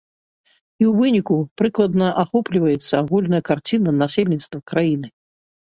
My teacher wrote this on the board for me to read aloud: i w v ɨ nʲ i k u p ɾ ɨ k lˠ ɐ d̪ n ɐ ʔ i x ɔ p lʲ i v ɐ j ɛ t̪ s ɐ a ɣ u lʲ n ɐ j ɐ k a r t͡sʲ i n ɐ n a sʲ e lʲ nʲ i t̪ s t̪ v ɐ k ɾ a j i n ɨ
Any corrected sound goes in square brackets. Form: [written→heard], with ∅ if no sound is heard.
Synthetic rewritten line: i w v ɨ nʲ i k u p ɾ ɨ k lˠ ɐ d̪ n ɐ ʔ [i→a] x ɔ p lʲ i v ɐ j ɛ t̪ [s→sː] ɐ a ɣ u lʲ n ɐ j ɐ k a r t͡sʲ i n ɐ n a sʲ e lʲ nʲ i t̪ s t̪ v ɐ k ɾ a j i n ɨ